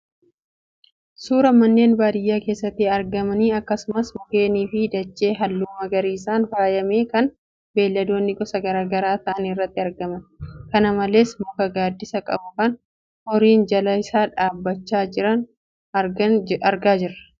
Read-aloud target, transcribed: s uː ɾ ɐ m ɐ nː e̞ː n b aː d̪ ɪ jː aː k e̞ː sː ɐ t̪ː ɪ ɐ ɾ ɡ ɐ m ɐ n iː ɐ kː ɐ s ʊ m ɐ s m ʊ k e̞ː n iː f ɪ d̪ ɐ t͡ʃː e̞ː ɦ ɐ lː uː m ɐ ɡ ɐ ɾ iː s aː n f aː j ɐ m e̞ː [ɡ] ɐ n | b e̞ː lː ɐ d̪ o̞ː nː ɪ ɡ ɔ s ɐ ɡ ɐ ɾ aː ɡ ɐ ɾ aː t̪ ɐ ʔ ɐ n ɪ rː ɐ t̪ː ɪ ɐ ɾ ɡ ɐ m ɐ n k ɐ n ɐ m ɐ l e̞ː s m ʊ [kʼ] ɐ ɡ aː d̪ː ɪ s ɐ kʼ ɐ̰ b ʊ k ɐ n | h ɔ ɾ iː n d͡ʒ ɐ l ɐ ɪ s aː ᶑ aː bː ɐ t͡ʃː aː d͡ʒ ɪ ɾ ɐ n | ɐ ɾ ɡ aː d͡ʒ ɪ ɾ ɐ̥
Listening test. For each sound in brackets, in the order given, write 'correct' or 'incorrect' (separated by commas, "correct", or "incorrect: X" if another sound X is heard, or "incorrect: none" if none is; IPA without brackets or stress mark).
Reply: incorrect: k, incorrect: k